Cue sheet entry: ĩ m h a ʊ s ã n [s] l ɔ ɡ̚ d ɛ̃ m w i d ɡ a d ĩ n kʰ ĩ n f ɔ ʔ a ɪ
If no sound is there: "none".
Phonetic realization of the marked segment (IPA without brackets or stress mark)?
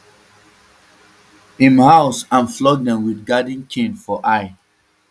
f